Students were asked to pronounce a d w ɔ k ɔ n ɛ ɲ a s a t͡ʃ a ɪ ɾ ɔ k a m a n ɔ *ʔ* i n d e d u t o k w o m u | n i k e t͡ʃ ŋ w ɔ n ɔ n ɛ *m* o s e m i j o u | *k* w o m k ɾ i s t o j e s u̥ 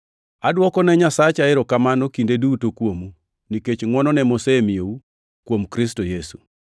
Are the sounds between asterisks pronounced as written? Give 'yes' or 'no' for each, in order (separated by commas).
no, yes, yes